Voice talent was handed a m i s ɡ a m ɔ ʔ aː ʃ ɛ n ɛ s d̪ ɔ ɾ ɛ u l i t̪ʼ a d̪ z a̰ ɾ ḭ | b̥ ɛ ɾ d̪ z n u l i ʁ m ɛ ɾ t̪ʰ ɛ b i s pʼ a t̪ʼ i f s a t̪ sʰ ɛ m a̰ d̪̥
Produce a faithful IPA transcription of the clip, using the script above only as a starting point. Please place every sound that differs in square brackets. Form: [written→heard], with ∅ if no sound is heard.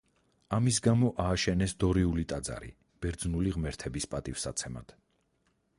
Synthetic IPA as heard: a m i s ɡ a m ɔ ʔ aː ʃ ɛ n ɛ s d̪ ɔ ɾ [ɛ→i] u l i t̪ʼ a d̪ z a̰ ɾ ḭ | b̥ ɛ ɾ d̪ z n u l i ʁ m ɛ ɾ t̪ʰ ɛ b i s pʼ a t̪ʼ i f s a t̪ sʰ ɛ m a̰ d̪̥